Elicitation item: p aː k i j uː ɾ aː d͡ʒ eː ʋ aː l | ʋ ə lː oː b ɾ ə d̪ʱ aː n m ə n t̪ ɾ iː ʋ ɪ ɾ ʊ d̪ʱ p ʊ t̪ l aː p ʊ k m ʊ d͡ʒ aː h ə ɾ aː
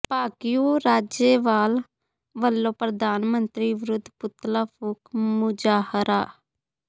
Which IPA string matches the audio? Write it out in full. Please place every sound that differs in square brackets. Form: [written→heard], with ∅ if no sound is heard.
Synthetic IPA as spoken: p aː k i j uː ɾ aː d͡ʒ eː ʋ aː l | ʋ ə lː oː [b→p] ɾ ə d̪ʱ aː n m ə n t̪ ɾ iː ʋ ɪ ɾ ʊ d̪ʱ p ʊ t̪ l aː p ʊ k m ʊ d͡ʒ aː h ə ɾ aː